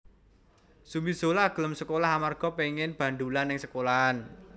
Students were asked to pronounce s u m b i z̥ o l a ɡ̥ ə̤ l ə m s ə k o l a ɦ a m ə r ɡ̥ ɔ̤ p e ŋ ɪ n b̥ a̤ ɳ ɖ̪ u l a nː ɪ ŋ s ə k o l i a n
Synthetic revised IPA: s u m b i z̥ o l a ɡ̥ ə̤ l ə m s ə k o l a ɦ a m a r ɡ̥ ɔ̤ p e ŋ ɪ n b̥ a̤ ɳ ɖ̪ u l a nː ɪ ŋ s ə k o l a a n